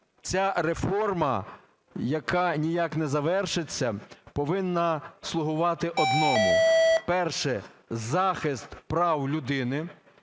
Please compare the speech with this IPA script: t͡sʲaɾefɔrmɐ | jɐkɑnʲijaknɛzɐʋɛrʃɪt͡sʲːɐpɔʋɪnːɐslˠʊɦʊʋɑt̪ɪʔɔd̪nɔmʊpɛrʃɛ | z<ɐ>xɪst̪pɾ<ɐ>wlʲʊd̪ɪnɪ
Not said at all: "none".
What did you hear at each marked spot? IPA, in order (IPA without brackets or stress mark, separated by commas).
ɑ, ɑ